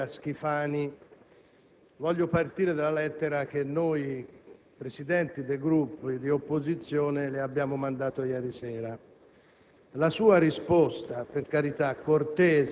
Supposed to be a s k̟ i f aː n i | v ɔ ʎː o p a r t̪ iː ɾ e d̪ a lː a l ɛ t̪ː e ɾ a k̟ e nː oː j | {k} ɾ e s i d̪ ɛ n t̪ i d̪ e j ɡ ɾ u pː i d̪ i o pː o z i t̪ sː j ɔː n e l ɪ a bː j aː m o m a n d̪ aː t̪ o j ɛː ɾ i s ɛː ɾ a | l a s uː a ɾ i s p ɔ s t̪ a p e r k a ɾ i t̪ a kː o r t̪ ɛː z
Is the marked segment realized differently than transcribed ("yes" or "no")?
yes